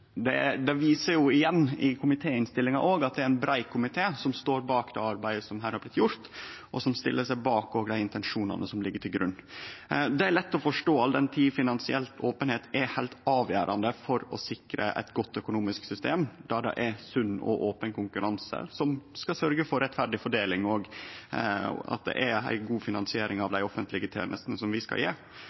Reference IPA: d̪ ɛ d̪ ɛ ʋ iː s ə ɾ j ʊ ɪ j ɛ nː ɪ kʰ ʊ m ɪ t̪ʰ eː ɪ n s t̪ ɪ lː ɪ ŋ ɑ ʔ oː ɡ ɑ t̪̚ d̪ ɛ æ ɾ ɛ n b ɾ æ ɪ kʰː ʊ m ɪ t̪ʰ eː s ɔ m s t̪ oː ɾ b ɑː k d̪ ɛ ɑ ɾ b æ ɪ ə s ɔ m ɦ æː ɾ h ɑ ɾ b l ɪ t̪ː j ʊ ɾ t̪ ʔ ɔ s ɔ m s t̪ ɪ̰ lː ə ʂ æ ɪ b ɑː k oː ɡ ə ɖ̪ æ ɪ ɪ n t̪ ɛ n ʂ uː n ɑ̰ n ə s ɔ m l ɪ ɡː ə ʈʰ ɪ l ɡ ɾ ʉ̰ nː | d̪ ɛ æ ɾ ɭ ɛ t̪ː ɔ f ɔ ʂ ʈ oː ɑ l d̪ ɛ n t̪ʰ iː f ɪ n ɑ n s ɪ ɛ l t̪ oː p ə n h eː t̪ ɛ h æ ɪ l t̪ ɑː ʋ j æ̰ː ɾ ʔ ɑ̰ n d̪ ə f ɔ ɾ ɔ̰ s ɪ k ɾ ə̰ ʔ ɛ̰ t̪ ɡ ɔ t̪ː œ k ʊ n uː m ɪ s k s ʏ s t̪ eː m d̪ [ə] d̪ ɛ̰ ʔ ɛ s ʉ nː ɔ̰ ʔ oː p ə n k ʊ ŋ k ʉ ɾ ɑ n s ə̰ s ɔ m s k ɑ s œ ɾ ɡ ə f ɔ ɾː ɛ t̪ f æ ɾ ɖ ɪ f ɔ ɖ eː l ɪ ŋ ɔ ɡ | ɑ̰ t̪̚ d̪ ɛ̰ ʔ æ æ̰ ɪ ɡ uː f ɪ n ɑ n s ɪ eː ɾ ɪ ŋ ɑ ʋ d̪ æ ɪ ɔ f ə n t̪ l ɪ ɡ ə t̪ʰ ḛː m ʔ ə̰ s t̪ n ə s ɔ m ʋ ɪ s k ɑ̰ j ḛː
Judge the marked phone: incorrect: ɑ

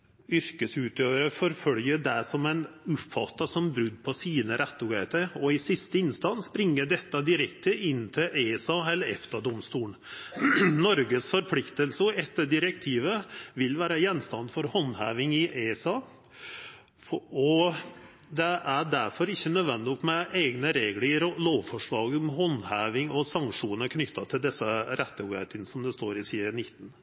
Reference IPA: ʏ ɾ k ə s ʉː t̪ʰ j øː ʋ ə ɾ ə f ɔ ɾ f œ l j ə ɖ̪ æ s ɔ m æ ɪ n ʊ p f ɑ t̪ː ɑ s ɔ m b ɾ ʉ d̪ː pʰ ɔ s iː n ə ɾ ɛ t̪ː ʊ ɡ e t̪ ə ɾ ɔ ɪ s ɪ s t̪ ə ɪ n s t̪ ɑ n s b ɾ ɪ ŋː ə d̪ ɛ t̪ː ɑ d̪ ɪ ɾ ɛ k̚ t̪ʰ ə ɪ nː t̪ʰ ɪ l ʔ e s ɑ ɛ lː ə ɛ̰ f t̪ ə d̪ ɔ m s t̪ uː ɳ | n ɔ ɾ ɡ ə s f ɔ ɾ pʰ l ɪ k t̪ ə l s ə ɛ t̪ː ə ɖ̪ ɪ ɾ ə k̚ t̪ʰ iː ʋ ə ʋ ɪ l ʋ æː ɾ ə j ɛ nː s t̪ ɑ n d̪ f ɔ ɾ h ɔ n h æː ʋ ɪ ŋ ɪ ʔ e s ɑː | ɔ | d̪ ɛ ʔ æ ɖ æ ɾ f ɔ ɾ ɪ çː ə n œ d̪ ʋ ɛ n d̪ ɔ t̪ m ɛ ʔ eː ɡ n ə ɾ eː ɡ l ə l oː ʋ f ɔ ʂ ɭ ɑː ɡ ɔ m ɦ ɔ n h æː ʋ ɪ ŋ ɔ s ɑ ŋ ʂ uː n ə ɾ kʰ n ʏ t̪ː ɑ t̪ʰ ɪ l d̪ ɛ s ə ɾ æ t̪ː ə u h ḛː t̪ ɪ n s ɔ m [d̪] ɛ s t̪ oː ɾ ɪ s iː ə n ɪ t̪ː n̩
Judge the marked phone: correct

